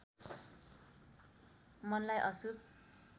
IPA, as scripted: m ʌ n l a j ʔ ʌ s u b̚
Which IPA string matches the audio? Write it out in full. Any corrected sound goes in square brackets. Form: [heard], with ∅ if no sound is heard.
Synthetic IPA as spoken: m ʌ n l a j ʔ ʌ s u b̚